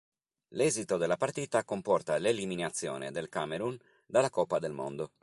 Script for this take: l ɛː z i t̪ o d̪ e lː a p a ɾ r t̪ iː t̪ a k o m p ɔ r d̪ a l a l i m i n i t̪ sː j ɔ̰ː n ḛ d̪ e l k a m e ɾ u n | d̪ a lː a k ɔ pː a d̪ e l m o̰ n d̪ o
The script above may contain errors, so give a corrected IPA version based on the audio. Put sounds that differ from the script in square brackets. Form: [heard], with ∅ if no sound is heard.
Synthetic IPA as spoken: l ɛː z i t̪ o d̪ e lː a p a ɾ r t̪ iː t̪ a k o m p ɔ r [t̪] a l [e] l i m i n [a] t̪ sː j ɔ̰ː n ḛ d̪ e l k a m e ɾ u n | d̪ a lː a k ɔ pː a d̪ e l m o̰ n d̪ o